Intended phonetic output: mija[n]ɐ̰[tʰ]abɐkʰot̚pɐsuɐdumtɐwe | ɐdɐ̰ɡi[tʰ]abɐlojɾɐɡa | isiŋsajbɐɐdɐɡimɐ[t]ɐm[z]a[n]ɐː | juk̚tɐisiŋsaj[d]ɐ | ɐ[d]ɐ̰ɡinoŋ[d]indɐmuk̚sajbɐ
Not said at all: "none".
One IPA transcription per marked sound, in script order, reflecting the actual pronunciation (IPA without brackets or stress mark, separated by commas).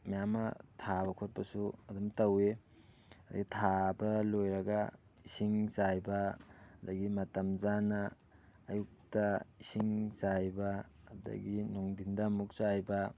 m, tʰ, tʰ, t, z, n, b, d, d